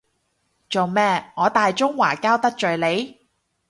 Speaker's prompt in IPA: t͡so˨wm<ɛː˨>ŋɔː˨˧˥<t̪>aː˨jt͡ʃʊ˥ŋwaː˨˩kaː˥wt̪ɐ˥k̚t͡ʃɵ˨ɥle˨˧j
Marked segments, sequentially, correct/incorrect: incorrect: ɛː˥˩, correct

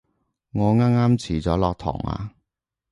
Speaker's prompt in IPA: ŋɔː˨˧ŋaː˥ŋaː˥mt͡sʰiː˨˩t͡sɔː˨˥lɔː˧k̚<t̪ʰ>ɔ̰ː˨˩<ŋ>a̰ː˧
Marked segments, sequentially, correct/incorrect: correct, correct

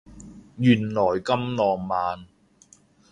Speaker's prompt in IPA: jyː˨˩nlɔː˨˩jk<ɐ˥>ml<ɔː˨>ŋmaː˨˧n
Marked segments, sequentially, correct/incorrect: correct, correct

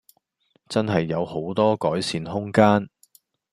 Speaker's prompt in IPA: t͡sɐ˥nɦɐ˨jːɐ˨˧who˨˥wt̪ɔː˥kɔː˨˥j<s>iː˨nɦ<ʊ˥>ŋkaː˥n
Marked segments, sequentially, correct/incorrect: correct, correct

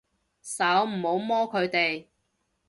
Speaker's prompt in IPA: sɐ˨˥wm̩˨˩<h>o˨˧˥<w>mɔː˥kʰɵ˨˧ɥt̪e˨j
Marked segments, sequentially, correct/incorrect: correct, correct

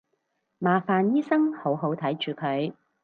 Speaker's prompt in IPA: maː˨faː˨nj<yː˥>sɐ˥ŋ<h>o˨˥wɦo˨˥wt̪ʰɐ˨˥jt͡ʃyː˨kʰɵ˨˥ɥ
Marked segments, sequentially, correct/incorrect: incorrect: iː˥, correct

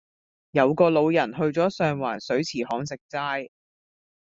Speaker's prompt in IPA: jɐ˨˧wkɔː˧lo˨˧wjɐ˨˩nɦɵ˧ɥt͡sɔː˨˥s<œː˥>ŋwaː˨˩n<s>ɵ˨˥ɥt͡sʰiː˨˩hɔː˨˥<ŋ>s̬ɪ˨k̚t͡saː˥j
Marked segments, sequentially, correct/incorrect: incorrect: œː˧, correct, correct

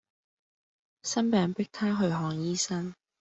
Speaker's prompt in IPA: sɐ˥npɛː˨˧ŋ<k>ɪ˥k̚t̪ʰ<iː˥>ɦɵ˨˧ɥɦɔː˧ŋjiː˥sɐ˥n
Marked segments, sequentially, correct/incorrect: incorrect: p, incorrect: aː˥

